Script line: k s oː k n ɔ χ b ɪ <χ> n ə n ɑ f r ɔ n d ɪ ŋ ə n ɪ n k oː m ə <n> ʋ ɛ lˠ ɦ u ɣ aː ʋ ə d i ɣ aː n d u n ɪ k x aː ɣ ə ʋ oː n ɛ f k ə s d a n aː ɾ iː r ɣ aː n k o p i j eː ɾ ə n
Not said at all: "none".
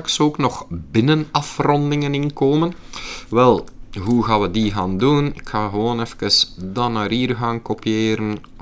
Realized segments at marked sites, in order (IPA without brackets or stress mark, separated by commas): none, n